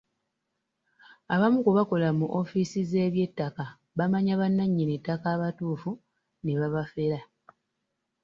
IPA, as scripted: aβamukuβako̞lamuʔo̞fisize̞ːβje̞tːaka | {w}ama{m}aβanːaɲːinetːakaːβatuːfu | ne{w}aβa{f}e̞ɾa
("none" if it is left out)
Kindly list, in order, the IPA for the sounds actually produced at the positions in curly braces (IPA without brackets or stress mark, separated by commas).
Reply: β, ɲ, β, f